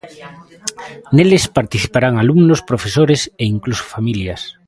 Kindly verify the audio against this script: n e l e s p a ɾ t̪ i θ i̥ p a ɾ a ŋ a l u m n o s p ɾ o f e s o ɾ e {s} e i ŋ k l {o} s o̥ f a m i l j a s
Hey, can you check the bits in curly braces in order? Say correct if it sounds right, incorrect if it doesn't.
correct, incorrect

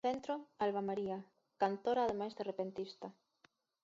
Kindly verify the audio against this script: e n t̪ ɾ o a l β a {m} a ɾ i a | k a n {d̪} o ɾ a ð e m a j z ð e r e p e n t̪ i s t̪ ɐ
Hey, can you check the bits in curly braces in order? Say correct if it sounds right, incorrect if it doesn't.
correct, incorrect

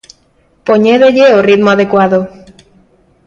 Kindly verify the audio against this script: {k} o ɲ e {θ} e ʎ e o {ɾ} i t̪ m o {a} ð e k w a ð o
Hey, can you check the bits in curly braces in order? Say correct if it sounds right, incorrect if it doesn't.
incorrect, incorrect, incorrect, correct

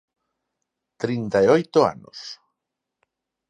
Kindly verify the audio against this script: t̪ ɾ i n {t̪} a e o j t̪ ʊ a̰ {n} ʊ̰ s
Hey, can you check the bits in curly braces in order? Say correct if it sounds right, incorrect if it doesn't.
correct, correct

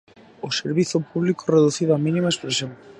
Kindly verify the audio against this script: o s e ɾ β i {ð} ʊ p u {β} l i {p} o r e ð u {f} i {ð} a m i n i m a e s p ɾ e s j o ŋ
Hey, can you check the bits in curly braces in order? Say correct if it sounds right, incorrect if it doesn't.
incorrect, correct, incorrect, incorrect, correct

